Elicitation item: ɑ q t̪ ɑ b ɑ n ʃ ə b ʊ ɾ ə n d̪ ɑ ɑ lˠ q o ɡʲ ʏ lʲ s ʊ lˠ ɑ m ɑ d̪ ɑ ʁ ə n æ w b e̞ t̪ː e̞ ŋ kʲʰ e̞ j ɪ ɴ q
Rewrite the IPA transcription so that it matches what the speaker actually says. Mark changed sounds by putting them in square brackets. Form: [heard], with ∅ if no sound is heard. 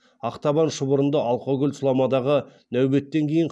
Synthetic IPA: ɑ q t̪ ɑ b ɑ n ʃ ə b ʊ ɾ ə n d̪ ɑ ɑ lˠ q o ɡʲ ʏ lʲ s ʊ lˠ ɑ m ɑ d̪ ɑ ʁ ə n æ w b e̞ t̪ː e̞ ŋ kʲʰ e̞ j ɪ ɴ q